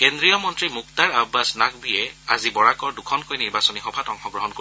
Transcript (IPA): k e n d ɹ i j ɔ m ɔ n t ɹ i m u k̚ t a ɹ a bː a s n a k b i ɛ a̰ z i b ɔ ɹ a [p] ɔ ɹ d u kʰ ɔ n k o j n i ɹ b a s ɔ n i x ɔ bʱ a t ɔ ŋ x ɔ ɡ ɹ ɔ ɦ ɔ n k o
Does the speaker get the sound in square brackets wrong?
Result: yes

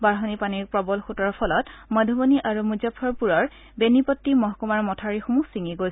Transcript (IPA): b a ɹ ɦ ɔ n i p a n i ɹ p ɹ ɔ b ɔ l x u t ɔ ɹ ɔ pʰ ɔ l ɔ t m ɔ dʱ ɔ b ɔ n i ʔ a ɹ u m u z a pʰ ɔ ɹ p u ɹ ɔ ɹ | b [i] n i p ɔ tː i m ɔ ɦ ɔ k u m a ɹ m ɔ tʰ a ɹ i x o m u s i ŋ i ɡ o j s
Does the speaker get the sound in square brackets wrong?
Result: yes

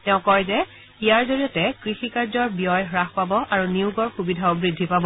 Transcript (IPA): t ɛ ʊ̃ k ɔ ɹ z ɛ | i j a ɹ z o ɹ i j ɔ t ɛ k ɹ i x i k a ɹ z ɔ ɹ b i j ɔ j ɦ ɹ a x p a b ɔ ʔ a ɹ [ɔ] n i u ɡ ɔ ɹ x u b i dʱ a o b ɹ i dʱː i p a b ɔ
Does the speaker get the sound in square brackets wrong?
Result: yes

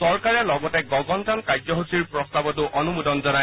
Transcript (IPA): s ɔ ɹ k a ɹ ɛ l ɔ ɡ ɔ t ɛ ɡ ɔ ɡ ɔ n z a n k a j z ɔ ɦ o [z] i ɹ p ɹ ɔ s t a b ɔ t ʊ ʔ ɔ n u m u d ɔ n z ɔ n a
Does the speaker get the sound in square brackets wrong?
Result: yes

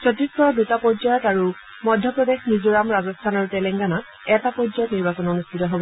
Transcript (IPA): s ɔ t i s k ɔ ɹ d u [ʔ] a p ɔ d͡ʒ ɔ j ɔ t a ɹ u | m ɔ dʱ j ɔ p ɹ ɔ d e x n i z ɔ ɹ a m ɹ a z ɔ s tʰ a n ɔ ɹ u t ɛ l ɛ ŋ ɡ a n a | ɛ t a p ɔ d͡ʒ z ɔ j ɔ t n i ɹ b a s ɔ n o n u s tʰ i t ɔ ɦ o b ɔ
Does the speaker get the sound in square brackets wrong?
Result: yes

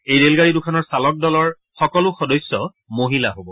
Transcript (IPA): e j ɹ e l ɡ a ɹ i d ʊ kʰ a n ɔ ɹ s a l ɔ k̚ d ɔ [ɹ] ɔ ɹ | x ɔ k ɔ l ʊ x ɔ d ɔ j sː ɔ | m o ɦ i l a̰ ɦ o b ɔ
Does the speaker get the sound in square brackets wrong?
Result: yes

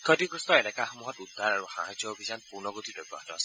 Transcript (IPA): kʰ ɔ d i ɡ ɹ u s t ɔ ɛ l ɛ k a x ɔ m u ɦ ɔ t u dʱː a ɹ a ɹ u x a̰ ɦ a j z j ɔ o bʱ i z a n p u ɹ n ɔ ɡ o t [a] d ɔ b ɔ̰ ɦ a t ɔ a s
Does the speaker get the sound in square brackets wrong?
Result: yes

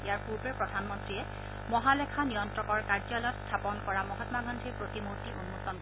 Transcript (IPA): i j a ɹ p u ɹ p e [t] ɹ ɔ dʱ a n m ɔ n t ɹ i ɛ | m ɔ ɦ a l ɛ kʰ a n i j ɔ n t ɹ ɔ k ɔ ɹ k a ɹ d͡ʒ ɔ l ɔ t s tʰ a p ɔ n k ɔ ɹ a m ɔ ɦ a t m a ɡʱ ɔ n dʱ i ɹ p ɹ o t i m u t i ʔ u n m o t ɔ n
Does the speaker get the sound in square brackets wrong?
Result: yes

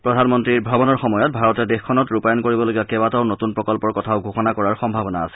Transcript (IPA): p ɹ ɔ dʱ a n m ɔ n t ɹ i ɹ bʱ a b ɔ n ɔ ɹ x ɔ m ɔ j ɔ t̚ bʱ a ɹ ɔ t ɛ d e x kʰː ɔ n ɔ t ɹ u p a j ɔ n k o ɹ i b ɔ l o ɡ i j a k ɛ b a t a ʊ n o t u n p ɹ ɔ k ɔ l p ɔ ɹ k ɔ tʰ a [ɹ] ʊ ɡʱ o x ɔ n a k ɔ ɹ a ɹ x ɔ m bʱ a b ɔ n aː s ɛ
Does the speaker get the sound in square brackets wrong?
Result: yes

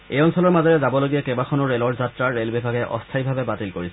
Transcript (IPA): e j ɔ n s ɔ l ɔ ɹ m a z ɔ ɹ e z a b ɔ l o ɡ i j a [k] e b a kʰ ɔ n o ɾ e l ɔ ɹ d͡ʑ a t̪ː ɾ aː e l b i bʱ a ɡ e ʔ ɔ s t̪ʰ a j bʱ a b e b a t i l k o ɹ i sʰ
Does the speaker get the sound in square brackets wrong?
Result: no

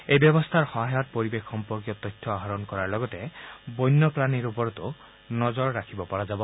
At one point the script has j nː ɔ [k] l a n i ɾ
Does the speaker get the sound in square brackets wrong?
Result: yes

